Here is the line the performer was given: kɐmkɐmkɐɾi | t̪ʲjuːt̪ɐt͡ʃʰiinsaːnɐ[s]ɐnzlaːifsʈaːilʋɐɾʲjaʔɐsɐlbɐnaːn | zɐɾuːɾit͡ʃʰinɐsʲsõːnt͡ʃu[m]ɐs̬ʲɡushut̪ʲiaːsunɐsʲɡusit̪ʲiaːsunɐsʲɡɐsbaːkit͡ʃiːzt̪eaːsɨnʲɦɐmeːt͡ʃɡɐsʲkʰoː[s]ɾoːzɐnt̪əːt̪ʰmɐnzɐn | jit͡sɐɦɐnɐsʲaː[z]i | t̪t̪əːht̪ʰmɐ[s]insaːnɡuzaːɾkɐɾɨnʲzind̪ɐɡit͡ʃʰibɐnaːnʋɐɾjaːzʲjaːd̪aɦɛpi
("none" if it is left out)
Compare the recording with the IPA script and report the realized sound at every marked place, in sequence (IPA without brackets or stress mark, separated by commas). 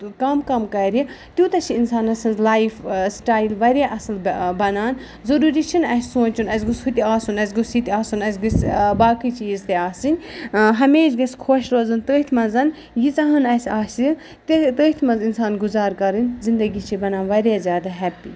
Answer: s, n, ʃ, s, z